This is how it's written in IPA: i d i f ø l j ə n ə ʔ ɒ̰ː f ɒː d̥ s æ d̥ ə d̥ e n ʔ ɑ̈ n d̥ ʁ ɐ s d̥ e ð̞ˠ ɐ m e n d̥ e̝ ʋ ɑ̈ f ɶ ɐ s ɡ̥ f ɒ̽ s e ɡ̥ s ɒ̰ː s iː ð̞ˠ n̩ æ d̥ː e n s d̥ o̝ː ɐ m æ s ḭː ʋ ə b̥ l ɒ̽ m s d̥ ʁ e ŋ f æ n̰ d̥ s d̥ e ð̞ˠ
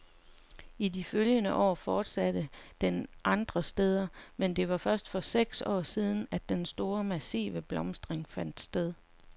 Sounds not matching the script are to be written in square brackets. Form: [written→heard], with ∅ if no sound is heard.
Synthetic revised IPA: i d i f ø l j ə n ə ʔ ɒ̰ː f ɒː d̥ s æ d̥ ə d̥ e n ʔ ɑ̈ n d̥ ʁ ɐ s d̥ e ð̞ˠ ɐ m e n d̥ e̝ ʋ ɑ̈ f ɶ ɐ s [ɡ̥→d̥] f ɒ̽ s e ɡ̥ s ɒ̰ː s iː ð̞ˠ n̩ æ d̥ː e n s d̥ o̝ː ɐ m æ s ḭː ʋ ə b̥ l ɒ̽ m s d̥ ʁ e ŋ f æ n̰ d̥ s d̥ e ð̞ˠ